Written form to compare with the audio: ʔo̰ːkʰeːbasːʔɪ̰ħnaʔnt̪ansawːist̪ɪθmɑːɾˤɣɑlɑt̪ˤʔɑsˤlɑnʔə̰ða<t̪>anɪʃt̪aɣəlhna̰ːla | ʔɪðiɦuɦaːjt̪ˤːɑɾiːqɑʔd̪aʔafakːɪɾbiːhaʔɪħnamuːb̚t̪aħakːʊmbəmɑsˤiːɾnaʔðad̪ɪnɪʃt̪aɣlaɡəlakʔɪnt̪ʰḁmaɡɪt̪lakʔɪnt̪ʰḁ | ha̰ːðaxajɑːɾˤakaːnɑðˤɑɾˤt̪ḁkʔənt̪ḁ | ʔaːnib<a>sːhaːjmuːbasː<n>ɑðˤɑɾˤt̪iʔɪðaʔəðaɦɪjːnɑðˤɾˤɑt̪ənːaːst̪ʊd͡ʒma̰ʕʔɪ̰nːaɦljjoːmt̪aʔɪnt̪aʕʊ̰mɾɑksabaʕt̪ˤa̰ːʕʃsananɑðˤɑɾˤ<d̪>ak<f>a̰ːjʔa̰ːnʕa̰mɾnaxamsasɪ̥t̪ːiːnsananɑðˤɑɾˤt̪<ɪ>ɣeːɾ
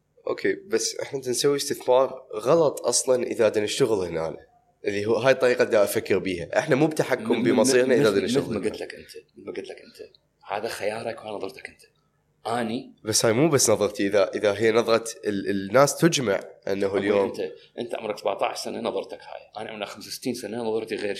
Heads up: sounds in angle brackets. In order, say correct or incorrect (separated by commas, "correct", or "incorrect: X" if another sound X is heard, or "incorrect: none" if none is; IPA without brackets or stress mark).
incorrect: d̪, correct, correct, incorrect: t̪, incorrect: h, incorrect: i